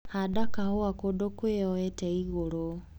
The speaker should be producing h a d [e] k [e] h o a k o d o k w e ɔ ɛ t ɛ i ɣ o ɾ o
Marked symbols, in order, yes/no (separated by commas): no, no